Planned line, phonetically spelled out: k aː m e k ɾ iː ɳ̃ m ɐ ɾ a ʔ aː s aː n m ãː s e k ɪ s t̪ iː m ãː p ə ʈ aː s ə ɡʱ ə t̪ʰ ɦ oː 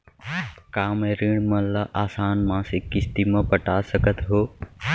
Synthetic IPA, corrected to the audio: k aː m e ɾ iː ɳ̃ m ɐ l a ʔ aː s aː n m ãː s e k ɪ s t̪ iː m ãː p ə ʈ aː s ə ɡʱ ə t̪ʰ ɦ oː

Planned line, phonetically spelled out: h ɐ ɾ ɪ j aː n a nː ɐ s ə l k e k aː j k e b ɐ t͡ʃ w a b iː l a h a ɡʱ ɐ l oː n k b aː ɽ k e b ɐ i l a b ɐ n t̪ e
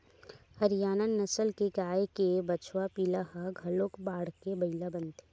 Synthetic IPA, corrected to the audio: h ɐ ɾ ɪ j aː n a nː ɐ s ə l k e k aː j k e b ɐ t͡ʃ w a p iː l a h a ɡʱ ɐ l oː k b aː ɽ k e b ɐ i l a b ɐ n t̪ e

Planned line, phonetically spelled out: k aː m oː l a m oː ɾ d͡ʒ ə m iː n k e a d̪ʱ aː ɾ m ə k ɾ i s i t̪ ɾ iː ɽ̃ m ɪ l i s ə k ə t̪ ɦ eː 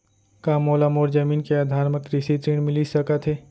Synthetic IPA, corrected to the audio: k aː m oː l a m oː ɾ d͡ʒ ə m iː n k e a d̪ʱ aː ɾ m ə k ɾ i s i t̪ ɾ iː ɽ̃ m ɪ l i s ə k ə t̪ ɦ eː

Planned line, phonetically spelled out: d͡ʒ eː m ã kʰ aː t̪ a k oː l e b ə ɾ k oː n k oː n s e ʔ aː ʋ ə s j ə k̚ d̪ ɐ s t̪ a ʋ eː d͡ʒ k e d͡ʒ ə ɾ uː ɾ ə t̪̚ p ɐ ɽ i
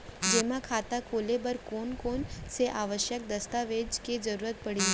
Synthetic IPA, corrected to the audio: d͡ʒ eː m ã kʰ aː t̪ a k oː l e b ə ɾ k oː n k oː n s e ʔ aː ʋ ə ʃ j ə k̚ d̪ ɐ s t̪ a ʋ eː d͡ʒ k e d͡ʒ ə ɾ uː ɾ ə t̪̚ p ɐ ɽ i

